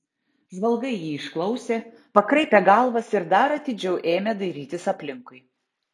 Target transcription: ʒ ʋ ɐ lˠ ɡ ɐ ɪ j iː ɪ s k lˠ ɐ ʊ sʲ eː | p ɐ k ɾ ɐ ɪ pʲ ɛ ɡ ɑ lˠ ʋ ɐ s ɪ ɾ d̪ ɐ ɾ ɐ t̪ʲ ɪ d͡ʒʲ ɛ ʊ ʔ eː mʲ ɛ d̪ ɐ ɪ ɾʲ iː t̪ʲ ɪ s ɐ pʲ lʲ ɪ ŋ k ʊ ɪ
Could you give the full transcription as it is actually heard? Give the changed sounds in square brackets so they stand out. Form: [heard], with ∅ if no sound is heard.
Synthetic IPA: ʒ ʋ ɐ lˠ ɡ ɐ ɪ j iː ɪ [ʃ] k lˠ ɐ ʊ sʲ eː | p ɐ k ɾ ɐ ɪ pʲ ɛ ɡ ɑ lˠ ʋ ɐ s ɪ ɾ d̪ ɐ ɾ ɐ t̪ʲ ɪ d͡ʒʲ ɛ ʊ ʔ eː mʲ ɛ d̪ ɐ ɪ ɾʲ iː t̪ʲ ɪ s ɐ pʲ lʲ ɪ ŋ k ʊ ɪ